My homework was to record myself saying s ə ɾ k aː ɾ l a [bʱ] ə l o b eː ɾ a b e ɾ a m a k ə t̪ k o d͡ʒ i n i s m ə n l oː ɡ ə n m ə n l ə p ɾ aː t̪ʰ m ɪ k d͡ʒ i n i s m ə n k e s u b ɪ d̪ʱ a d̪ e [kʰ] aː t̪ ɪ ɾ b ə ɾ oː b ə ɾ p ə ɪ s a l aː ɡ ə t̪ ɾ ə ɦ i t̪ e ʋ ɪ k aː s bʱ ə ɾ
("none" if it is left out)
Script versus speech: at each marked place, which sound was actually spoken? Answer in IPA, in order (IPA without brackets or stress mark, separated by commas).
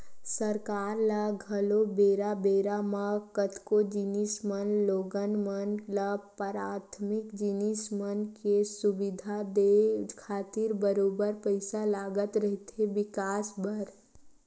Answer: ɡʱ, kʰ